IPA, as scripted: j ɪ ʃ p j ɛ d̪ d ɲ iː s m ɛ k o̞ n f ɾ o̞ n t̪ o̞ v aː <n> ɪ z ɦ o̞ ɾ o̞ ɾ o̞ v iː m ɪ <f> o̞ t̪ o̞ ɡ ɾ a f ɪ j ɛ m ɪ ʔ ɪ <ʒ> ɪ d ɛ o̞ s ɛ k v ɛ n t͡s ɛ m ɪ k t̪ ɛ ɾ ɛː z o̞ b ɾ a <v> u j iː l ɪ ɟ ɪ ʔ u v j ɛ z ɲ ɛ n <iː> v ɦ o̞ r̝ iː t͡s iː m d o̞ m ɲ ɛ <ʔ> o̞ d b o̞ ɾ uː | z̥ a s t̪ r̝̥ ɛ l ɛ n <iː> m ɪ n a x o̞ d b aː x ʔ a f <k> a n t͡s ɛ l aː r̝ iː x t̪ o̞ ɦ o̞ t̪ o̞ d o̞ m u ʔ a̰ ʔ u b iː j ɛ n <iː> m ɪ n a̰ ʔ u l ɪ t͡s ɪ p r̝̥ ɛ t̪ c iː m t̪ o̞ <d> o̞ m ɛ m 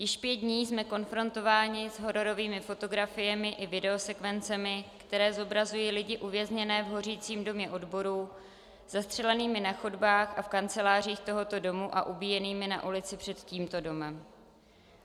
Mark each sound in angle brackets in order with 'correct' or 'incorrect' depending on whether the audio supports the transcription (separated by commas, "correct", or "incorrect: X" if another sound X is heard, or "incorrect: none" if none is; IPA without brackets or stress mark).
incorrect: ɲ, correct, incorrect: v, incorrect: z, incorrect: ɛː, correct, correct, correct, correct, correct